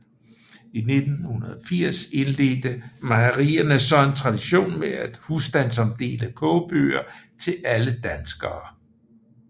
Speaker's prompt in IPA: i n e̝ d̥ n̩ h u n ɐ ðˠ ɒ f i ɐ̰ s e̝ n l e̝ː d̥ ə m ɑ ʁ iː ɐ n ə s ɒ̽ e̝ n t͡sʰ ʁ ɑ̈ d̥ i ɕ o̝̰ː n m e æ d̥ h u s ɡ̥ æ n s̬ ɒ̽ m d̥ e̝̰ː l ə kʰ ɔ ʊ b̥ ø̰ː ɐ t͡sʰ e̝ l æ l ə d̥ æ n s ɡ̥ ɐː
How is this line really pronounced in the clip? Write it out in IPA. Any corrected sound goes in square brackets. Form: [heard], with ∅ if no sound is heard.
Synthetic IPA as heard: i n e̝ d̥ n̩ h u n ɐ ðˠ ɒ f i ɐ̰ s e̝ n l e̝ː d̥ ə m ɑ ʁ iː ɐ n ə s ɒ̽ e̝ n t͡sʰ ʁ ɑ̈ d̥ i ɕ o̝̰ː n m e æ d̥ h u s [d̥] æ n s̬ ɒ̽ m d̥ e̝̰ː l ə kʰ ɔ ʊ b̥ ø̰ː ɐ t͡sʰ e̝ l æ l ə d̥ æ n s ɡ̥ ɐː